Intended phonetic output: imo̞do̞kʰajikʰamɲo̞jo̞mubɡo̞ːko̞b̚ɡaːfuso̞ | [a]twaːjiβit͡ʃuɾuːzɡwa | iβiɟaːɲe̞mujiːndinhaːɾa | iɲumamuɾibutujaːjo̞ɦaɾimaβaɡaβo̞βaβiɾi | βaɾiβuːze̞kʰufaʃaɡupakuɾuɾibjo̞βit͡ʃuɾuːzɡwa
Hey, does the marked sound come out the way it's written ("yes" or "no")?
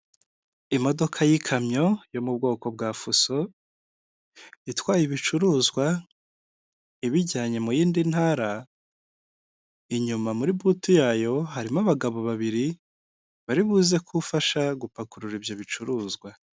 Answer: no